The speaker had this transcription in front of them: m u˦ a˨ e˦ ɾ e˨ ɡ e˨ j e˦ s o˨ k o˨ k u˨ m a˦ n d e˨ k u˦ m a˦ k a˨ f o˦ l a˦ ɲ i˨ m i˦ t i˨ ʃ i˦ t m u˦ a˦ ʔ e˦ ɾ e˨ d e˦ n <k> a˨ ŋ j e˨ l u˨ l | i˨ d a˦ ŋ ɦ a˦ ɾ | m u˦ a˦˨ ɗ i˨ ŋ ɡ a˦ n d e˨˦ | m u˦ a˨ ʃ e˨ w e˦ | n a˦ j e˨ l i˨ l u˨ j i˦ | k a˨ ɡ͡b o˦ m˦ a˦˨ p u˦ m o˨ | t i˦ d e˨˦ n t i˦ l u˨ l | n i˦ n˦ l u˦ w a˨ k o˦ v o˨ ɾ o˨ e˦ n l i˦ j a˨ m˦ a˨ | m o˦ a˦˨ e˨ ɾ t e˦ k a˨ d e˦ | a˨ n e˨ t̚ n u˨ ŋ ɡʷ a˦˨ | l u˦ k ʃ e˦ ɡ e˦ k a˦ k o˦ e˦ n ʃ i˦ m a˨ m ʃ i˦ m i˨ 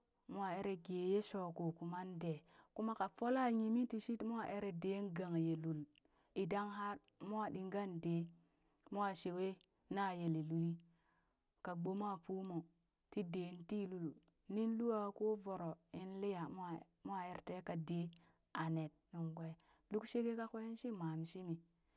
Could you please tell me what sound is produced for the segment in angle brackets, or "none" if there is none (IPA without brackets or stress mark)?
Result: ɡ